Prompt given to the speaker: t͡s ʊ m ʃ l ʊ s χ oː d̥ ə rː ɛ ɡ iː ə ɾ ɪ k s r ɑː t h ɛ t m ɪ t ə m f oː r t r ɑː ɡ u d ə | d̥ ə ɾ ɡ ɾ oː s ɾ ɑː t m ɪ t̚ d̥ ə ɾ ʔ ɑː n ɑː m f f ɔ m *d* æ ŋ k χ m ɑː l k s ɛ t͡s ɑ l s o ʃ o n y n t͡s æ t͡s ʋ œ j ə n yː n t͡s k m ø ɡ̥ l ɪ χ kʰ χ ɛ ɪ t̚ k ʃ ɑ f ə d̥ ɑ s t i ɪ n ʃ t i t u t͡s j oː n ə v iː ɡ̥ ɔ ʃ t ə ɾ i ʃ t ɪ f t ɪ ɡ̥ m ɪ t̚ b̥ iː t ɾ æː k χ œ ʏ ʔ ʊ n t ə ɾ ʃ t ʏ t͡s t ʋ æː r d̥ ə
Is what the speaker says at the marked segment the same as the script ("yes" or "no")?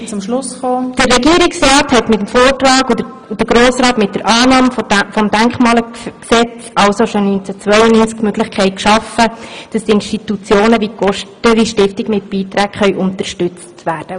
yes